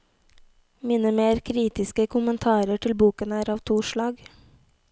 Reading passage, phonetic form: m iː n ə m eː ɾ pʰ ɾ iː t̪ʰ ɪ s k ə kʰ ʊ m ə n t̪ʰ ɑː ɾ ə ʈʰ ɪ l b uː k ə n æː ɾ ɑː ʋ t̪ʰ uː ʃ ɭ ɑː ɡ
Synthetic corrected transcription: m iː n ə m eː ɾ kʰ ɾ iː t̪ ɪ s k ə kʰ ʊ m ə n t̪ʰ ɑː ɾ ə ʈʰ ɪ l b uː k ə n æː ɾ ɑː ʋ t̪ʰ uː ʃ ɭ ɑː ɡ